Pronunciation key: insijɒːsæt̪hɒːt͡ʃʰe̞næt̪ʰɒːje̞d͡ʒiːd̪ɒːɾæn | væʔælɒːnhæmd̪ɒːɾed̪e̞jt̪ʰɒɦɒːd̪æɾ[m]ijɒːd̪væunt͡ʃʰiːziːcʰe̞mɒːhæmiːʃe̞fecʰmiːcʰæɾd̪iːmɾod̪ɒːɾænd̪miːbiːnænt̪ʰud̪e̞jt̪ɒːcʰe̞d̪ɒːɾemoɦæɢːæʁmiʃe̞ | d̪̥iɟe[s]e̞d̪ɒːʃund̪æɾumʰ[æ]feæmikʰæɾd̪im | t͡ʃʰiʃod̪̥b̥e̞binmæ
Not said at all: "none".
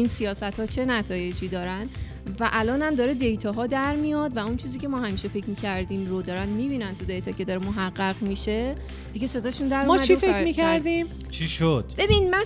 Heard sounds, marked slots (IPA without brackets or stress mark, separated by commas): m, s, i